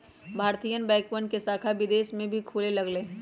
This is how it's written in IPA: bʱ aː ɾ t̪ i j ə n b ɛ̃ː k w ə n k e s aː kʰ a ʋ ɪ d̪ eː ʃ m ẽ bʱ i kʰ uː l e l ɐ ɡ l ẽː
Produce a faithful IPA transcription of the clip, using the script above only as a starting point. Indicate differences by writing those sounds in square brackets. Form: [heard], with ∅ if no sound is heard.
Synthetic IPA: bʱ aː ɾ t̪ i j ə n b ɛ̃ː k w ə n k e s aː kʰ a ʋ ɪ d̪ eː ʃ m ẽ bʱ i kʰ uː l e l ɐ ɡ l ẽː